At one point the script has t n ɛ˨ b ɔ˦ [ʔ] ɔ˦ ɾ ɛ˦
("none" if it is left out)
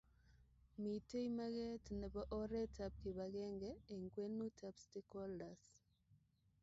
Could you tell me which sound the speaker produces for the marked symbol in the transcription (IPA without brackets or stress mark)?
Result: ʔ